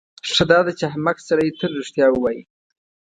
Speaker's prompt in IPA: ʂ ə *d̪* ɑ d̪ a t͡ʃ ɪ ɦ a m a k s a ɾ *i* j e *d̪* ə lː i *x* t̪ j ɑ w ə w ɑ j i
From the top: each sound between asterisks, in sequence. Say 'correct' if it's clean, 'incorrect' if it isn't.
correct, incorrect: a, incorrect: t̪, incorrect: ʂ

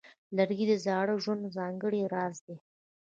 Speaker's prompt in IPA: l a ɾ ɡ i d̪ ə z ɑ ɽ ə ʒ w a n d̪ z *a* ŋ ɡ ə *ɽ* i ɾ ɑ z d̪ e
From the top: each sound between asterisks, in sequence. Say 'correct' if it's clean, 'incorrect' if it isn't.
incorrect: ɑ, correct

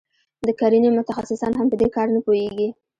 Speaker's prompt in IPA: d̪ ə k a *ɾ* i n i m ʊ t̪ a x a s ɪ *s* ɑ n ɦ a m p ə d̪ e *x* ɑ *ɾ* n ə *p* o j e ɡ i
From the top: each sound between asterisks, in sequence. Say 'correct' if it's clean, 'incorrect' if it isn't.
correct, correct, incorrect: k, correct, correct

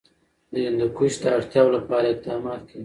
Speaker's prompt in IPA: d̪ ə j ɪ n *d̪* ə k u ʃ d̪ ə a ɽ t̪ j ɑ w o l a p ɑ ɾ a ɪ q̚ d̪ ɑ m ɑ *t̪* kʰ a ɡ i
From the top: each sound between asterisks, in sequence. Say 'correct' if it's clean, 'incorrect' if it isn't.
correct, correct

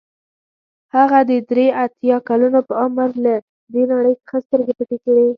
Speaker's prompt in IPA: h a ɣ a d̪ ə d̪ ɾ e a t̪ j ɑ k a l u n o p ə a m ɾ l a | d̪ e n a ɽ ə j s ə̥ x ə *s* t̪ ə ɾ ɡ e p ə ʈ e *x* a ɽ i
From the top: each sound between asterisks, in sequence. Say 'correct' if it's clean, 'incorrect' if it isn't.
correct, incorrect: k

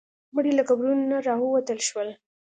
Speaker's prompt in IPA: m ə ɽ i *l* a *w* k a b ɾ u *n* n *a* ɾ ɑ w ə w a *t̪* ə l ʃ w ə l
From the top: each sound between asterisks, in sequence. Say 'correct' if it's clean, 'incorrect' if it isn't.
correct, incorrect: none, correct, correct, correct

